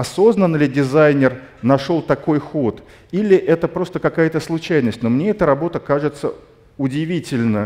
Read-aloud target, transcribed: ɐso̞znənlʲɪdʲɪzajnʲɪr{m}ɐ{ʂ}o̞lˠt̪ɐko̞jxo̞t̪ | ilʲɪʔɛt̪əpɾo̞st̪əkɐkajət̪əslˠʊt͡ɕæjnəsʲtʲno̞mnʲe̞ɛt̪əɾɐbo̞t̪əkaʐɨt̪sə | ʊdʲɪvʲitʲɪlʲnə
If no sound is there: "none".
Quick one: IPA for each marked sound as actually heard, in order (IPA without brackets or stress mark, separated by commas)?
n, ʂ